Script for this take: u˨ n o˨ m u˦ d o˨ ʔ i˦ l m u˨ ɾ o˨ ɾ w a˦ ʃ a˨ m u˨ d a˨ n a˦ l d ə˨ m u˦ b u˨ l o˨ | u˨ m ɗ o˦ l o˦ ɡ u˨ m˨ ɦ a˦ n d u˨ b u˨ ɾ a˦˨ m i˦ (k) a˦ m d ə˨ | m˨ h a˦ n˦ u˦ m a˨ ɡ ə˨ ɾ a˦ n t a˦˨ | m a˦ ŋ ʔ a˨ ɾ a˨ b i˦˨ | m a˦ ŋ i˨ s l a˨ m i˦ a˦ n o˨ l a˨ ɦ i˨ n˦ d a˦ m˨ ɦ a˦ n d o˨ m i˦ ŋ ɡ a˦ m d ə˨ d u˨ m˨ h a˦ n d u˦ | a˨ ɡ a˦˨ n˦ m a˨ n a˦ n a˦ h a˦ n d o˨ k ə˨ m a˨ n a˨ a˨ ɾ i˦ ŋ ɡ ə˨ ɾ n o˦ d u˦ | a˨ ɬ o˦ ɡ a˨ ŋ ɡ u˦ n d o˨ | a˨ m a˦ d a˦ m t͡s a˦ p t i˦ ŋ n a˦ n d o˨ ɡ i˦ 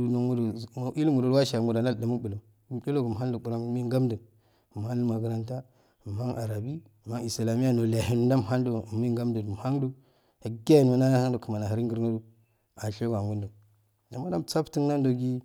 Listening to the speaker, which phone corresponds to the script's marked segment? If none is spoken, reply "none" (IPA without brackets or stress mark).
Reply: ɡ